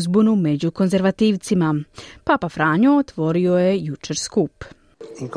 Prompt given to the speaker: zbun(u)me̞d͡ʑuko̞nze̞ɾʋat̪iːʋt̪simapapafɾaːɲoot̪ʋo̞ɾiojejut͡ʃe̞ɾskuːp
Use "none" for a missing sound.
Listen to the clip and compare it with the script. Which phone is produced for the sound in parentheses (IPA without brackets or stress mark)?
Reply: u